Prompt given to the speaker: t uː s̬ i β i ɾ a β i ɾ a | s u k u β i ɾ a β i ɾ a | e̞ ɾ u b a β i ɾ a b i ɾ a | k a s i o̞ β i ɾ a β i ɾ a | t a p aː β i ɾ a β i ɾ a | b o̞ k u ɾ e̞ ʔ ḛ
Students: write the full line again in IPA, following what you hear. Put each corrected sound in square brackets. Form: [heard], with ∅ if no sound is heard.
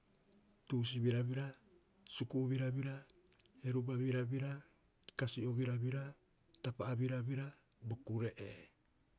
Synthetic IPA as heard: t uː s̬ i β i ɾ a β i ɾ a | s u k u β i ɾ a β i ɾ a | e̞ ɾ u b a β i ɾ a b i ɾ a | k a s i o̞ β i ɾ a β i ɾ a | t a p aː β i ɾ a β i ɾ a | b o̞ k u ɾ e̞ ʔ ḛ

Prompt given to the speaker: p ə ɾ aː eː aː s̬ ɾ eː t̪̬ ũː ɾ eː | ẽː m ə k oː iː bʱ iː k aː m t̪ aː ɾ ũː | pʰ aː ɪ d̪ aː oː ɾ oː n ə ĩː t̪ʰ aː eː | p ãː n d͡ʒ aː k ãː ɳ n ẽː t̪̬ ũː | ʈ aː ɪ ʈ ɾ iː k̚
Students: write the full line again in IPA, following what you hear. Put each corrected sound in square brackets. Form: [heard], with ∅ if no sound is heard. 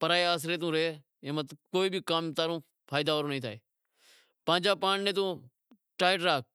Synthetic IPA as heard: p ə ɾ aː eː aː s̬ ɾ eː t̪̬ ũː ɾ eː | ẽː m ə k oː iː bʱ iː k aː m t̪ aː ɾ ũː | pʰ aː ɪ d̪ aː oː ɾ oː n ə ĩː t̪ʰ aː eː | p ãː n d͡ʒ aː [p] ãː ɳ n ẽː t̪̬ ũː | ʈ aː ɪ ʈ ɾ [aː] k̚

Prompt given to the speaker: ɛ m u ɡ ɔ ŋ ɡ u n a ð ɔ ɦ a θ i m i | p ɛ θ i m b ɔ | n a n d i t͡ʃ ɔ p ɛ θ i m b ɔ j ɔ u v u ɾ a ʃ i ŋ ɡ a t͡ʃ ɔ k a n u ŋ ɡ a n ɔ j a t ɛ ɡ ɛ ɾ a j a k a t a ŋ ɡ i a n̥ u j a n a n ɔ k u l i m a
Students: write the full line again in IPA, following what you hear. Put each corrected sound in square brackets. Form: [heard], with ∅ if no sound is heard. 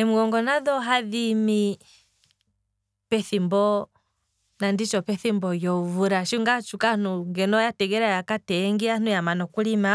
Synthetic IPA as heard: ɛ m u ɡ ɔ ŋ ɡ [ɔ] n a ð ɔ ɦ a [ð] i m i | p ɛ θ i m b ɔ | n a n d i t͡ʃ ɔ p ɛ θ i m b ɔ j ɔ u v u ɾ a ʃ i ŋ ɡ a t͡ʃ [u] k a n u ŋ ɡ [ɛ] n ɔ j a t ɛ ɡ ɛ ɾ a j a k a t [ɛ] ŋ ɡ i a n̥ u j a [m] a n ɔ k u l i m a

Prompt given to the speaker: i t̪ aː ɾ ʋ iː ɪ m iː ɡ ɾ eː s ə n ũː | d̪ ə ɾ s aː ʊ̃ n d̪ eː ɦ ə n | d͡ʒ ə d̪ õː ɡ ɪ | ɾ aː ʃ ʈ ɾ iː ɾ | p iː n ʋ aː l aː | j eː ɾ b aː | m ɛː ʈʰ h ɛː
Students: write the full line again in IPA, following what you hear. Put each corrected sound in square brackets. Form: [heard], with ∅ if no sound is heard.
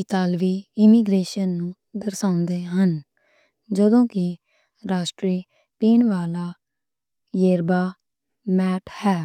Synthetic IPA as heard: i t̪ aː [l] ʋ iː ɪ m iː ɡ ɾ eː [ʃ] ə [nː] ũː | d̪ ə ɾ s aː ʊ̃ n d̪ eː ɦ ə n | d͡ʒ ə d̪ õː [k] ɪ | ɾ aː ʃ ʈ ɾ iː [∅] | p iː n ʋ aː l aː | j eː ɾ b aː | m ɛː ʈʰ h ɛː

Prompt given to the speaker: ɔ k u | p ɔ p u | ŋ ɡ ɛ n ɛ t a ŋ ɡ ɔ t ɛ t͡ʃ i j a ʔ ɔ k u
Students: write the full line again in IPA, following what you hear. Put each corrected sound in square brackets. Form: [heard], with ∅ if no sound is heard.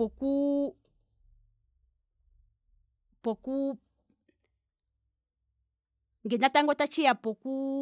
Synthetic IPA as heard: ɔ k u | p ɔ [k] u | ŋ ɡ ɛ n [a] t a ŋ ɡ ɔ t [a] t͡ʃ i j a [p] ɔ k u

